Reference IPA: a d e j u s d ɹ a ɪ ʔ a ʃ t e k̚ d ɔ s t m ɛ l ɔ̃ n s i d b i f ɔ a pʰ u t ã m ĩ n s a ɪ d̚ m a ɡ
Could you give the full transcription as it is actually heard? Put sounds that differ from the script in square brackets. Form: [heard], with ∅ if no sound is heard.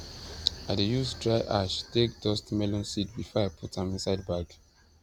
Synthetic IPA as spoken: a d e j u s d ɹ a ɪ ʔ a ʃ t e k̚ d ɔ s t m ɛ l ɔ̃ n s i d b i f ɔ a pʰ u t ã m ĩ n s a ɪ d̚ [b] a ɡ